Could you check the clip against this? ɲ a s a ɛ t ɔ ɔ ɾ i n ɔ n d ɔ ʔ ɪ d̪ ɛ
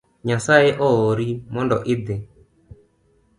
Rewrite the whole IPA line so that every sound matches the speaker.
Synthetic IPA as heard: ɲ a s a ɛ ʔ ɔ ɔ ɾ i m ɔ n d ɔ ʔ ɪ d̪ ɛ